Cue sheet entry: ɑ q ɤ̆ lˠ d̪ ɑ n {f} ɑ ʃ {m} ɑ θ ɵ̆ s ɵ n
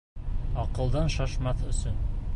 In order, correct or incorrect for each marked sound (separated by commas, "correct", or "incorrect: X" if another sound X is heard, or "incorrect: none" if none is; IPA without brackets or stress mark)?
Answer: incorrect: ʃ, correct